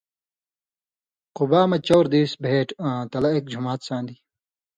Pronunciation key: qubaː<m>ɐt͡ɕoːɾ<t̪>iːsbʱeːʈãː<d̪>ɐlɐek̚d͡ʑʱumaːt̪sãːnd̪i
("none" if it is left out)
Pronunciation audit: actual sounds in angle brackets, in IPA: m, d̪, t̪

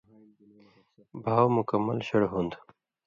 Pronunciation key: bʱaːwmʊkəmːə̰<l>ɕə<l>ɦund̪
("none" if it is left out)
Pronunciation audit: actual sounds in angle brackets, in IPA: l, ɽ

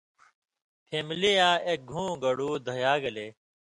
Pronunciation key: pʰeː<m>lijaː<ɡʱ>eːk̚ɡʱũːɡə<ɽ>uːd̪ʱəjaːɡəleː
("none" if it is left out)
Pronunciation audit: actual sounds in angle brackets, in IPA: m, none, ɽ

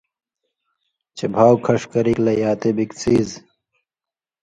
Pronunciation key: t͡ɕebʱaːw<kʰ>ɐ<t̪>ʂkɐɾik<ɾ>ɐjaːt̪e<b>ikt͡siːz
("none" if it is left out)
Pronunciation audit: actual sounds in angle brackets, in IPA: kʰ, none, l, b

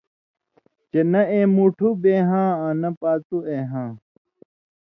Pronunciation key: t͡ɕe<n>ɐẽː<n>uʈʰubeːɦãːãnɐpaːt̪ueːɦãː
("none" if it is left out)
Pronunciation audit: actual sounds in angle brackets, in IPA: n, m

